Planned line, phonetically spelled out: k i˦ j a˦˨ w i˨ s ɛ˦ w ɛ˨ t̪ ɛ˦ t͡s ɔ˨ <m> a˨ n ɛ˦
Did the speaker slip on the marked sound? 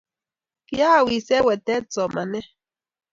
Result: no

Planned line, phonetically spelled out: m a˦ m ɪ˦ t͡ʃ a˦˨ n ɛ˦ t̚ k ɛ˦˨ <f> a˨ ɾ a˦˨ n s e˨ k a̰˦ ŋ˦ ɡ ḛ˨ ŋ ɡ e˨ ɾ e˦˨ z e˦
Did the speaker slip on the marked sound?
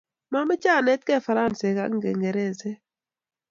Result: no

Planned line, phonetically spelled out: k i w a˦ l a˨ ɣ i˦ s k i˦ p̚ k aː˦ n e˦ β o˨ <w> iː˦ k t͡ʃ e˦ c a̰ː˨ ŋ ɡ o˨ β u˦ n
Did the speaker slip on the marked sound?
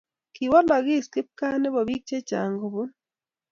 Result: yes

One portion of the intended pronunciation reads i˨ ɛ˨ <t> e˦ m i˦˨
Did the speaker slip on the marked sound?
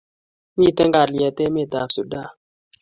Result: no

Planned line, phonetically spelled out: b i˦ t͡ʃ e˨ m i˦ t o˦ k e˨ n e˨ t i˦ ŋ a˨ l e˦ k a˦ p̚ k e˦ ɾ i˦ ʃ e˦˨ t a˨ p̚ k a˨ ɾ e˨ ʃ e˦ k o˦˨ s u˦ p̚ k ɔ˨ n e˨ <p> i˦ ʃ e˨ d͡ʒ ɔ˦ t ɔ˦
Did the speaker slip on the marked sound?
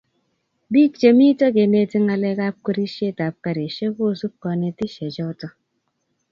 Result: yes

